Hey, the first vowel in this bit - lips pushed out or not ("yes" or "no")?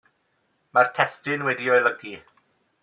no